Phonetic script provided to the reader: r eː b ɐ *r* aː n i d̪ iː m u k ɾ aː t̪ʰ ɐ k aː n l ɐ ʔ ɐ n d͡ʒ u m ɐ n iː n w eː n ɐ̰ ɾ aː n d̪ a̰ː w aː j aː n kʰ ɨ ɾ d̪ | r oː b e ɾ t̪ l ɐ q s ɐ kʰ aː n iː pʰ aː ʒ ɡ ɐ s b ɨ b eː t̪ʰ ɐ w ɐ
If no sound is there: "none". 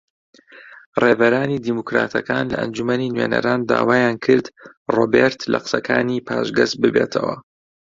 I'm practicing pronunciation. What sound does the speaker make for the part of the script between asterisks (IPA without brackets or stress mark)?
ɾ